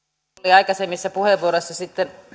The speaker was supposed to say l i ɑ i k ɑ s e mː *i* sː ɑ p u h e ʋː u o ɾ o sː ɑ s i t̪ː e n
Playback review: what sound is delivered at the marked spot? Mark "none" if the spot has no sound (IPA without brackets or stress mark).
i